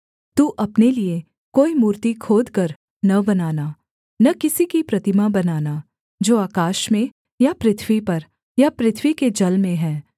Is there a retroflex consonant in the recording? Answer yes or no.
no